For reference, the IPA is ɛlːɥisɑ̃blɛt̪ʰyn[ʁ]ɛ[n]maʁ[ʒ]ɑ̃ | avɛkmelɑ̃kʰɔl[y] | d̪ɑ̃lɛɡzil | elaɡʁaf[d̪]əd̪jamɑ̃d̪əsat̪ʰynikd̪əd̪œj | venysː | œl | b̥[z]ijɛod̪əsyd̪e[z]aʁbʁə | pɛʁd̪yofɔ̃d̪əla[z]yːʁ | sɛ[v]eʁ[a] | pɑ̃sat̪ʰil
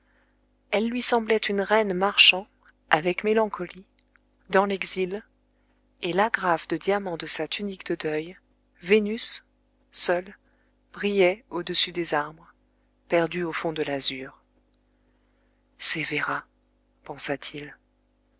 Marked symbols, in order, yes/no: yes, yes, no, no, yes, no, yes, yes, yes, yes

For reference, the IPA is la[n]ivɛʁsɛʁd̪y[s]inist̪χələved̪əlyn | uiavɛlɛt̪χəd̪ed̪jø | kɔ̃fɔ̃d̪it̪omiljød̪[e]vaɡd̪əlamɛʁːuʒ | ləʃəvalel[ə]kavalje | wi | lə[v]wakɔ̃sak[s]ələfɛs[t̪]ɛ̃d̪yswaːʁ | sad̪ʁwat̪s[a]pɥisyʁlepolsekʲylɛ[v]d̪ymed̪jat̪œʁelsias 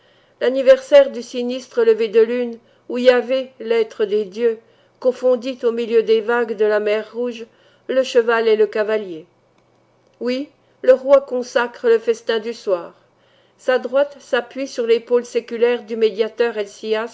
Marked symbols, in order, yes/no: yes, yes, yes, yes, no, no, yes, yes, no

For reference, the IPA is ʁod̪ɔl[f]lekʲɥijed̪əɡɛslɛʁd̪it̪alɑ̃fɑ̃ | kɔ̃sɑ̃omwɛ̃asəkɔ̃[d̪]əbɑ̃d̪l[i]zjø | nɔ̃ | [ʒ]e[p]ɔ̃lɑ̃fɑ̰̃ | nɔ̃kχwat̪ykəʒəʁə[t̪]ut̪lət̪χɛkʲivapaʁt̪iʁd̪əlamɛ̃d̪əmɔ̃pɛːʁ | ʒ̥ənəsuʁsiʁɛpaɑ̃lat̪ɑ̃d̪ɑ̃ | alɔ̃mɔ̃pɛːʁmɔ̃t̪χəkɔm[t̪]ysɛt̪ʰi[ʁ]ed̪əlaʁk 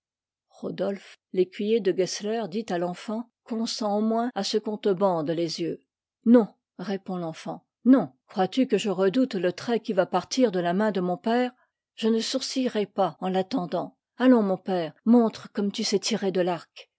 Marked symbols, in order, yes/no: yes, no, no, no, yes, no, yes, yes

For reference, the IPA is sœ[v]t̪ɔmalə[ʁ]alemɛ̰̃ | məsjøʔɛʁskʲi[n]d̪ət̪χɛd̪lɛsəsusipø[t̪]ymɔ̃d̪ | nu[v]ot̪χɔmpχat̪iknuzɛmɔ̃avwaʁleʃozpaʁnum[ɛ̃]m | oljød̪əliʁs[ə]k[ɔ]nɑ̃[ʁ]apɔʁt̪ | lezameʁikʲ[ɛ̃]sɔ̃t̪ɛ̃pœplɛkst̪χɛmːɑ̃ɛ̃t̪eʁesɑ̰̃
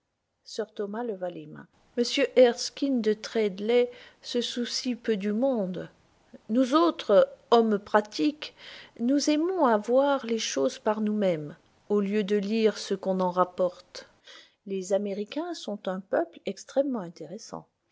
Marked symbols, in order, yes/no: no, no, yes, no, no, no, yes, no, yes, yes

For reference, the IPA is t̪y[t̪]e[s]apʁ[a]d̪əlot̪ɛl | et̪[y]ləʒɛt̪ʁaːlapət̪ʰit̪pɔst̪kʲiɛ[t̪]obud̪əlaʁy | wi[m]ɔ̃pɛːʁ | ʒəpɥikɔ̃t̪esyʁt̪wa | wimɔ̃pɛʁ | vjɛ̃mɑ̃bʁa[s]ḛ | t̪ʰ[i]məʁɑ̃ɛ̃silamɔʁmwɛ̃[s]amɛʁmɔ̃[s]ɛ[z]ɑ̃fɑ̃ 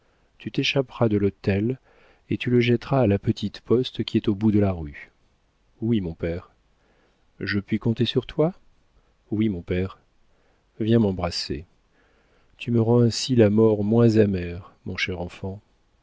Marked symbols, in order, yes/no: yes, no, yes, yes, yes, yes, yes, no, no, no, no

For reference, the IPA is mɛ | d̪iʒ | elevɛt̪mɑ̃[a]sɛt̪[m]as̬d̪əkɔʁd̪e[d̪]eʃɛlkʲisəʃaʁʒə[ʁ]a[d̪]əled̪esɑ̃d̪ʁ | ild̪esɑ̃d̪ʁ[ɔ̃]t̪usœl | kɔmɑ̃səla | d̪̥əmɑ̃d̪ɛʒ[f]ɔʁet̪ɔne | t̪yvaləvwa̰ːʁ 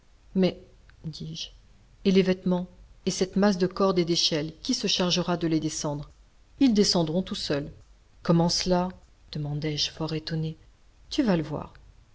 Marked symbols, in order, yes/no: no, yes, yes, yes, yes, yes, yes

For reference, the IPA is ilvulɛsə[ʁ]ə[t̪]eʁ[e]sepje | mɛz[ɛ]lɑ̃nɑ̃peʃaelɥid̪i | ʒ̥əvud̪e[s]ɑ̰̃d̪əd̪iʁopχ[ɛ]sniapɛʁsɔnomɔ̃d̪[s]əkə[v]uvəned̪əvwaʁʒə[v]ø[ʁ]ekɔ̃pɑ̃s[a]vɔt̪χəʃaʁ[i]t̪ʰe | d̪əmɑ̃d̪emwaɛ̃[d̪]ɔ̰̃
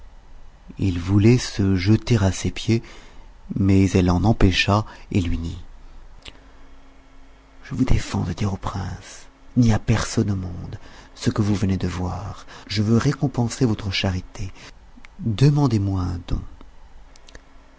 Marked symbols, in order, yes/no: no, yes, no, yes, no, no, yes, yes, yes, yes, no, yes, yes

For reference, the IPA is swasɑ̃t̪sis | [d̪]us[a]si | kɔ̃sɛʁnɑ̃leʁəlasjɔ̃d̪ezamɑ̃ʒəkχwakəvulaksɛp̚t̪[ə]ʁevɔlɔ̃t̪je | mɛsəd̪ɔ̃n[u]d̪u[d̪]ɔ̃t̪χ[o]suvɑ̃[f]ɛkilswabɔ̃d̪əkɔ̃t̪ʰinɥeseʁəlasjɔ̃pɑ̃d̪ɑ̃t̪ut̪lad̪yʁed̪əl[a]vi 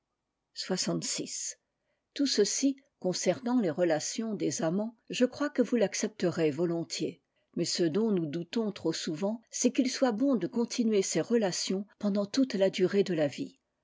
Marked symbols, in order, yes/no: no, no, yes, yes, no, yes, no, yes

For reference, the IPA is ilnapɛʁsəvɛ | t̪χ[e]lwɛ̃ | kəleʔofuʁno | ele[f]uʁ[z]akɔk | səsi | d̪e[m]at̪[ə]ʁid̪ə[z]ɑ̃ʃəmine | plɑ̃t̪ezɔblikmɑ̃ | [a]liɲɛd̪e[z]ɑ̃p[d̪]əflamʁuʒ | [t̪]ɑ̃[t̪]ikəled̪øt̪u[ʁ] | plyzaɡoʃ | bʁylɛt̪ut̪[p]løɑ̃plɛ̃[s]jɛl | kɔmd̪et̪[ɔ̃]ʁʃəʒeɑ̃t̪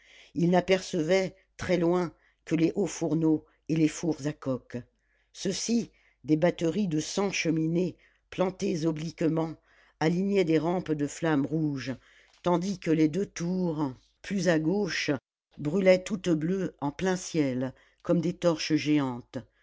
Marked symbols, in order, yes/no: no, yes, yes, no, yes, no, yes, no, yes, yes, no, yes, no, yes, no

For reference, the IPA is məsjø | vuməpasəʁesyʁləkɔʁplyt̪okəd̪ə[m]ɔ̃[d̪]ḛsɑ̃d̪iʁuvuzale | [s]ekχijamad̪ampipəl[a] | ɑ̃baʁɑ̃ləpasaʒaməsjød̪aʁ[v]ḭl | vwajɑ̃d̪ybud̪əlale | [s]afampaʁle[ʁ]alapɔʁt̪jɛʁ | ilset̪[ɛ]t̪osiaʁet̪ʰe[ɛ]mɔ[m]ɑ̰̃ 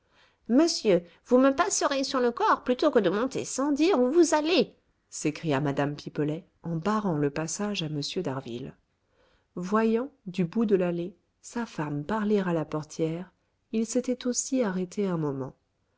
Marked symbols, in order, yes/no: yes, no, yes, no, yes, yes, yes, yes, no, yes

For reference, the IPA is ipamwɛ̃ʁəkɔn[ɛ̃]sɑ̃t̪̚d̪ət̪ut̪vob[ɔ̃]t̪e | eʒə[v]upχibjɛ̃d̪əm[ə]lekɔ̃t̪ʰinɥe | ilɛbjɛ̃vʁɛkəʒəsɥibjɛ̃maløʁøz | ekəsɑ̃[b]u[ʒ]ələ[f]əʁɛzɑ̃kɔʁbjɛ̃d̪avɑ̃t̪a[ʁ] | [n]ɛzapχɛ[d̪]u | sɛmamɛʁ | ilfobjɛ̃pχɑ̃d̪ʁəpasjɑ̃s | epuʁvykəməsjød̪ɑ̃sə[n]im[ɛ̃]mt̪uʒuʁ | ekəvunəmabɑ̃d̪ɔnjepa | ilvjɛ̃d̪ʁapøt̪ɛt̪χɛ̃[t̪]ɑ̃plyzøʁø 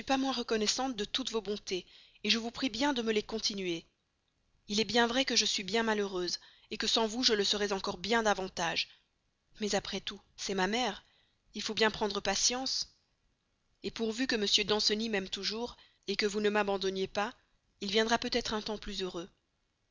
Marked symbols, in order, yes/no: no, yes, yes, yes, no, yes, no, no, no, no, yes, no, yes

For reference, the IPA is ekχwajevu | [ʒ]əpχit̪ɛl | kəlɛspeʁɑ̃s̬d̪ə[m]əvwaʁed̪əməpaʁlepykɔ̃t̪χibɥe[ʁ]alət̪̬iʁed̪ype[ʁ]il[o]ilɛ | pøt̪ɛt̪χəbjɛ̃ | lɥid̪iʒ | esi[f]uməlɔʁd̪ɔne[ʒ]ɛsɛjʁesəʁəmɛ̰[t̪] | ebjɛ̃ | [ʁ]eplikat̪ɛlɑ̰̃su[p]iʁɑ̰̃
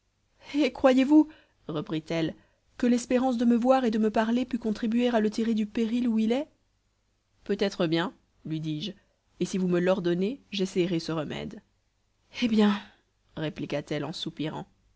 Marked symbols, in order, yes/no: no, yes, yes, yes, no, no, yes, no, yes, yes

